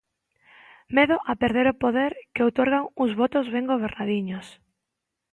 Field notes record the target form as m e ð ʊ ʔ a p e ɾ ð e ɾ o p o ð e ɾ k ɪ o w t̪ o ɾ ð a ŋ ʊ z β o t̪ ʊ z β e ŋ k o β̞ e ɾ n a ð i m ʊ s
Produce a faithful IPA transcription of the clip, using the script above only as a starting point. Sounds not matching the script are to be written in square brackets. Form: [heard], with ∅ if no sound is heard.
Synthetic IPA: m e ð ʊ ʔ a p e ɾ ð e ɾ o p o ð e ɾ k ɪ o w t̪ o ɾ [ɣ] a ŋ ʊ z β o t̪ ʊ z β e ŋ [ɡ] o β̞ e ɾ n a ð i [ɲ] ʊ s